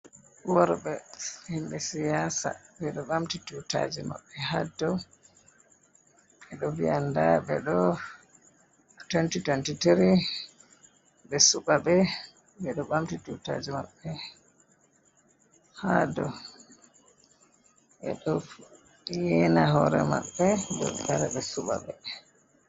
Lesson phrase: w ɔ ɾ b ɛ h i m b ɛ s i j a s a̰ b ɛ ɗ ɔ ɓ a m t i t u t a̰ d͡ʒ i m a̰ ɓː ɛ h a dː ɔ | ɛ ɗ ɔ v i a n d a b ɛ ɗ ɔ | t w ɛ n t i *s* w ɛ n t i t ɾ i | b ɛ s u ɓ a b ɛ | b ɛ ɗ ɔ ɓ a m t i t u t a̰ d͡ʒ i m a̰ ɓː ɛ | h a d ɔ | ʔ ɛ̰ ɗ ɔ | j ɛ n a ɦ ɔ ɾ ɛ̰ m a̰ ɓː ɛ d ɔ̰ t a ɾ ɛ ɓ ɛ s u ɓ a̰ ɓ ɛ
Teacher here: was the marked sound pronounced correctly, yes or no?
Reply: no